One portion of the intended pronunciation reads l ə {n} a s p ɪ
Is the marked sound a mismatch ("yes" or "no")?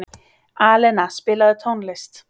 no